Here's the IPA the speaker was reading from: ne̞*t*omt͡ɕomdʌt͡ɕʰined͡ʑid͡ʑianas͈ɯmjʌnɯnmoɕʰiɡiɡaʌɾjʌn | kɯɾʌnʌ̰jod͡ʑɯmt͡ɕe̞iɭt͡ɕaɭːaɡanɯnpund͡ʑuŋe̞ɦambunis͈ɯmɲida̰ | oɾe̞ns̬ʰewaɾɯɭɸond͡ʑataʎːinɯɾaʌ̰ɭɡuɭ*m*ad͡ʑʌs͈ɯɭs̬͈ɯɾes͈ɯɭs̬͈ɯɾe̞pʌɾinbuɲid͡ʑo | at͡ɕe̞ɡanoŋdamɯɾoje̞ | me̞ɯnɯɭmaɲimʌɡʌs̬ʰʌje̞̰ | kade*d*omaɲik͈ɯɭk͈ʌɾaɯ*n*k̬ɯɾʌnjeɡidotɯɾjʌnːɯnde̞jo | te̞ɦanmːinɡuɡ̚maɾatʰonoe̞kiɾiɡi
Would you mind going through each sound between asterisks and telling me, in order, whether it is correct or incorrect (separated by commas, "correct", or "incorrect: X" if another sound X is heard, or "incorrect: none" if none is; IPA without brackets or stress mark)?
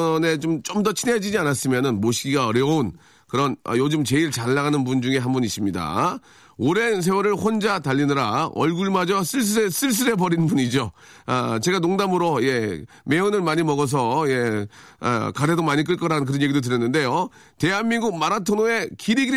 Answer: incorrect: t͡ɕ, correct, correct, correct